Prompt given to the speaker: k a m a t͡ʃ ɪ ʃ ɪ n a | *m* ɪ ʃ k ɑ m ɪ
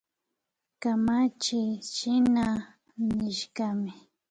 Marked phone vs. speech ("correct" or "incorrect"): incorrect